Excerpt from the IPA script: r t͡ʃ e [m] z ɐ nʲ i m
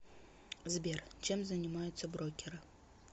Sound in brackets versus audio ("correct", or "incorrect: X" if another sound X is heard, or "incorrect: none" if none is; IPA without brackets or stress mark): correct